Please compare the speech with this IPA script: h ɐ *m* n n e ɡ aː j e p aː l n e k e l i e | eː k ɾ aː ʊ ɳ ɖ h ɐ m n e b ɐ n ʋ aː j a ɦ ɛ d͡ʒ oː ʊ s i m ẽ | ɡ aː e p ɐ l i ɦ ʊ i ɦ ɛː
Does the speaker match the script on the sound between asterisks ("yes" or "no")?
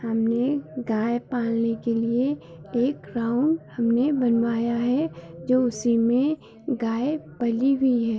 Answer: yes